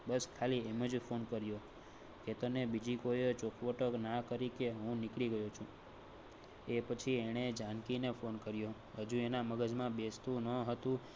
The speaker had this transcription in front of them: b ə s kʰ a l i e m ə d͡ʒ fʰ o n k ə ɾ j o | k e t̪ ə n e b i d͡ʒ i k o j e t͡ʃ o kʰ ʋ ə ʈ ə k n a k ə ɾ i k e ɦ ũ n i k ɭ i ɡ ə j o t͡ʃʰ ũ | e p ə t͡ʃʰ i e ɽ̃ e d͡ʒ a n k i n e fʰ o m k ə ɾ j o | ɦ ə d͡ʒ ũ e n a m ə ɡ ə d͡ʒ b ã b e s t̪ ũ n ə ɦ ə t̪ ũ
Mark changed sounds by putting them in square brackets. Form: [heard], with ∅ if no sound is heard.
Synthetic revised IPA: b ə s kʰ a l i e m ə d͡ʒ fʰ o n k ə ɾ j o | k e t̪ ə n e b i d͡ʒ i k o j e t͡ʃ o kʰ ʋ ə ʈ ə k n a k ə ɾ i k e ɦ ũ n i k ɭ i ɡ ə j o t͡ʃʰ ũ | e p ə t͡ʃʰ i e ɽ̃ e d͡ʒ a n k i n e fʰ o [n] k ə ɾ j o | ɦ ə d͡ʒ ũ e n a m ə ɡ ə d͡ʒ [m] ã b e s t̪ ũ n ə ɦ ə t̪ ũ

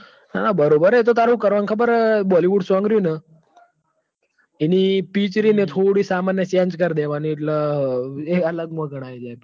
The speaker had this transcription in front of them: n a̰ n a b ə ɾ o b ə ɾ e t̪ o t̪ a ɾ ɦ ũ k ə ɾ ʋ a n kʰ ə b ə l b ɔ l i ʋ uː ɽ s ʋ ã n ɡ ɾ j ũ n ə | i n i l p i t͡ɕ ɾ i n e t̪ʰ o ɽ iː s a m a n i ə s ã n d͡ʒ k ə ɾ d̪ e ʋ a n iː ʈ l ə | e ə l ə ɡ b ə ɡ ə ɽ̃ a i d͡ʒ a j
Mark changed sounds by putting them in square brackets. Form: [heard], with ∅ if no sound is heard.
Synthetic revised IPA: n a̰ n a b ə ɾ o b ə ɾ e t̪ o t̪ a ɾ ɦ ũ k ə ɾ ʋ a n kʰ ə b ə [ɾ] b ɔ l i ʋ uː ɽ s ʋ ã [ŋ] ɡ ɾ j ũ n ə | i n i [∅] p i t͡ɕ ɾ i n e t̪ʰ o ɽ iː s a m a n [j] ə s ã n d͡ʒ k ə ɾ d̪ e ʋ a n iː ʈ l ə | e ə l ə ɡ [m] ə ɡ ə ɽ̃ a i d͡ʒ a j

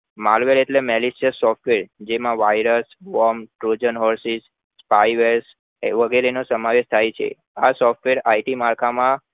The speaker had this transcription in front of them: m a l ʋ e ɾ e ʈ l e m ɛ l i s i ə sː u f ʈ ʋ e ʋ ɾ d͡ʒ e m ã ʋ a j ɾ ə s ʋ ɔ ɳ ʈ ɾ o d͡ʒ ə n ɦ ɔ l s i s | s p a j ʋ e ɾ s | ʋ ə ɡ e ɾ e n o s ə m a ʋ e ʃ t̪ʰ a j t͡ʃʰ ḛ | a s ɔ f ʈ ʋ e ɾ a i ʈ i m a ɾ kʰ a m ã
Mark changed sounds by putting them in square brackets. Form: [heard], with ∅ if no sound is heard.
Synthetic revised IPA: m a l ʋ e ɾ e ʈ l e m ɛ l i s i ə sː [ɔ] f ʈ ʋ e [∅] ɾ d͡ʒ e m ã ʋ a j ɾ ə s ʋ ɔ [m] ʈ ɾ o d͡ʒ ə n ɦ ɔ [ɾ] s i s | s p a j ʋ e ɾ s | ʋ ə ɡ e ɾ e n o s ə m a ʋ e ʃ t̪ʰ a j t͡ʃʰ ḛ | a s ɔ f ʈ ʋ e ɾ a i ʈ i m a ɾ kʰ a m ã

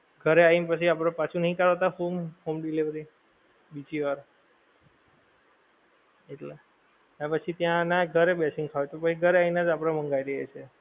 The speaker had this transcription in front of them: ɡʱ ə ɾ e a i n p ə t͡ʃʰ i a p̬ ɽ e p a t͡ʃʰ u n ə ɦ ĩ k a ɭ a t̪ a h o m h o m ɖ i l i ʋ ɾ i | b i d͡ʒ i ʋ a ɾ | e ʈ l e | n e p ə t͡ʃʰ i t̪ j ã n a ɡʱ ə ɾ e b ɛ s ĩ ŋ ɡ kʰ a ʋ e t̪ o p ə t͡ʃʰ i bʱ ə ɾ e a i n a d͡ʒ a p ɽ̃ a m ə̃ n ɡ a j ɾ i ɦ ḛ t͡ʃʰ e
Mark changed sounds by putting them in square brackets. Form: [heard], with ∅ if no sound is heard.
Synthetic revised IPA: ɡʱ ə ɾ e a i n p ə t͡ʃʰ i a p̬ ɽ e p a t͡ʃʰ u n ə ɦ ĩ k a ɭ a t̪ a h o m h o m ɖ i l i ʋ ɾ i | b i d͡ʒ i ʋ a ɾ | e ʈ l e | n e p ə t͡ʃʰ i t̪ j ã n a ɡʱ ə ɾ e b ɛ s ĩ ŋ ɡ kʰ a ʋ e t̪ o p ə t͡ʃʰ i [ɡʱ] ə ɾ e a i n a d͡ʒ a p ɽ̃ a m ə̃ [ŋ] ɡ a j ɾ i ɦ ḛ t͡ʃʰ e

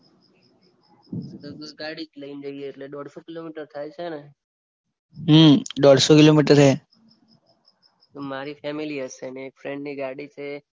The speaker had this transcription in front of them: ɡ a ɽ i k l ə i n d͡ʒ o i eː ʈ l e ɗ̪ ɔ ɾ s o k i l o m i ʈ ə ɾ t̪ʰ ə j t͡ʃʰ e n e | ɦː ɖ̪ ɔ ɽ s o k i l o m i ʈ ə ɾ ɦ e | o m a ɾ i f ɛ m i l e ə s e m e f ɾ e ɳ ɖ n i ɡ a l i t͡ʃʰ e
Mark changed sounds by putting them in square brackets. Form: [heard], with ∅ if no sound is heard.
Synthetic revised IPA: ɡ a ɽ i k l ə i n d͡ʒ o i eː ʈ l e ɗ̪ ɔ [ɽ] s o k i l o m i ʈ ə ɾ t̪ʰ [a] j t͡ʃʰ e n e | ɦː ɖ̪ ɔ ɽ s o k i l o m i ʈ ə ɾ ɦ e | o m a ɾ i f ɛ m i l [i] ə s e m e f ɾ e ɳ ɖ n i ɡ a [ɽ] i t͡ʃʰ e

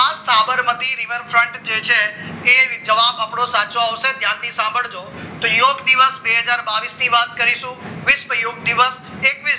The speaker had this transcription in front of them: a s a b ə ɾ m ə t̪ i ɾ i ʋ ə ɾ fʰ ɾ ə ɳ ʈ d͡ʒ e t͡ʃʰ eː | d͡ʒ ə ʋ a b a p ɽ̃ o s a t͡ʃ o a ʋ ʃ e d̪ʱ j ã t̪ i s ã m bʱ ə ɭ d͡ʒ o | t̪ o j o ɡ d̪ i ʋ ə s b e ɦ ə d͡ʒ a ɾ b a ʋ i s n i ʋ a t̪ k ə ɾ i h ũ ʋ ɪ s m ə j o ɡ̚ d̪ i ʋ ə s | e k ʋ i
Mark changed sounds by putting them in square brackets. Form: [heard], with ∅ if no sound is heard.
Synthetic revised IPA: a s a b ə ɾ m ə t̪ i ɾ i ʋ ə ɾ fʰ ɾ ə ɳ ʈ d͡ʒ e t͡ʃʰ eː | d͡ʒ ə ʋ a b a p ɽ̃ o s a t͡ʃ o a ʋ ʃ e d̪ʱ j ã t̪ i s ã m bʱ ə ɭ d͡ʒ o | t̪ o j o ɡ d̪ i ʋ ə s b e ɦ ə d͡ʒ a ɾ b a ʋ i s n i ʋ a t̪ k ə ɾ i [ʃ] ũ ʋ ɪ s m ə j o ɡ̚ d̪ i ʋ ə s | e k ʋ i

